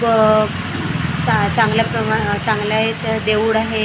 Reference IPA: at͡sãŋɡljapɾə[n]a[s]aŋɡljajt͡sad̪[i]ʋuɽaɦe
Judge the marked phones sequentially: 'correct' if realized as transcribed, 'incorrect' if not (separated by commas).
incorrect, incorrect, incorrect